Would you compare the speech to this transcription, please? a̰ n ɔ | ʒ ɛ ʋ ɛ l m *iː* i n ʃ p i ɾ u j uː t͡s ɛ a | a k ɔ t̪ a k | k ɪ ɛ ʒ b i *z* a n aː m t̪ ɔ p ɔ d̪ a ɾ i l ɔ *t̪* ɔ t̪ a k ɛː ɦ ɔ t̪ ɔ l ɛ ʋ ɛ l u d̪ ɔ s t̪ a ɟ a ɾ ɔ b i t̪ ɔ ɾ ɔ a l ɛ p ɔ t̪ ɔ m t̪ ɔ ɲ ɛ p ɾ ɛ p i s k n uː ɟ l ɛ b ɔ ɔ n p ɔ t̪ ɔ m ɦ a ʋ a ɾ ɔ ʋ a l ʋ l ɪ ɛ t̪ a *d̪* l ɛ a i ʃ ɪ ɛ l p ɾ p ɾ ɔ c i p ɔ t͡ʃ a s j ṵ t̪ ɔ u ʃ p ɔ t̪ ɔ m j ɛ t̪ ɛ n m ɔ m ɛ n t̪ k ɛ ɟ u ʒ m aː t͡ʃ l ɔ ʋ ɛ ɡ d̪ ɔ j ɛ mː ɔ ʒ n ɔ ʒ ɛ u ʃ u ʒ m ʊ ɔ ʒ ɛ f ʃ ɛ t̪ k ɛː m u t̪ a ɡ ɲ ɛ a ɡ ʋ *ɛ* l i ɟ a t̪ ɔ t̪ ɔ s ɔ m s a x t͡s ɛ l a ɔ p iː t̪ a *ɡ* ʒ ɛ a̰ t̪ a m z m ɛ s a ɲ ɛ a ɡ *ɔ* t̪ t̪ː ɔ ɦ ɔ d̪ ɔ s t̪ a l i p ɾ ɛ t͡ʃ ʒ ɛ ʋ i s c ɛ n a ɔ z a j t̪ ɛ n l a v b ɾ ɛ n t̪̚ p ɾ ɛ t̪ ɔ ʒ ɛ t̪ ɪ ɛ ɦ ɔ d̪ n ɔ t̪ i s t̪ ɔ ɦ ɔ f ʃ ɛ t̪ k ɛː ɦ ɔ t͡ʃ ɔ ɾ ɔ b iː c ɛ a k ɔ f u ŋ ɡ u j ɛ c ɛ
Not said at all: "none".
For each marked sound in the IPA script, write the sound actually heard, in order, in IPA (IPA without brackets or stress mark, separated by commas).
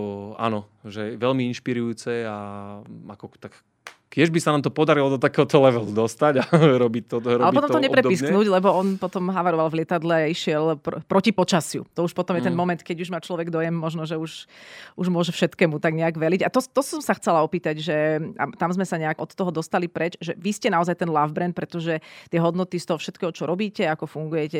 i, s, d̪, d̪, ɛ, ɟ, ɔ